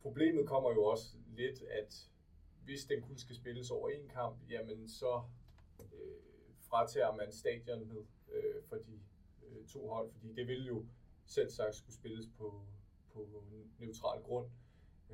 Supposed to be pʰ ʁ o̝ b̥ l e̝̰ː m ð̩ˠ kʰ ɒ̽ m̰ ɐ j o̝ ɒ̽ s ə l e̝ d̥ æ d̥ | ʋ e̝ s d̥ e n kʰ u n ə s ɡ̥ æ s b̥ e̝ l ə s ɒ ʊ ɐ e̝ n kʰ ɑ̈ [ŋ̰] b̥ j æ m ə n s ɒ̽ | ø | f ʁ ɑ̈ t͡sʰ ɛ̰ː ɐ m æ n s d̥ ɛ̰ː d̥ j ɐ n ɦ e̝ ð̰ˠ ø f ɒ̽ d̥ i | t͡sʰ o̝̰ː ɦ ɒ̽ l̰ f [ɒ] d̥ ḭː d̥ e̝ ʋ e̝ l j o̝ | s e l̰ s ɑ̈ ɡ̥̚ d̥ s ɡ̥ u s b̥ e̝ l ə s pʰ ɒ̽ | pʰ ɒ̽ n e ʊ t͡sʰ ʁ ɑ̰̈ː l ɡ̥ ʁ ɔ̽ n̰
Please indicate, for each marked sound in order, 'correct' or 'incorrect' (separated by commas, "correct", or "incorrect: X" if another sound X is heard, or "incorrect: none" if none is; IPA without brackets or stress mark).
incorrect: m̰, correct